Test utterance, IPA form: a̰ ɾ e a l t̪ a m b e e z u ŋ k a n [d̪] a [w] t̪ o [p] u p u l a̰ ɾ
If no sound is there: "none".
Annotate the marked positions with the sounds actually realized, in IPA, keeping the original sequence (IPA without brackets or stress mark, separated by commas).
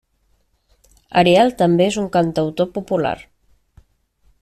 t̪, w, p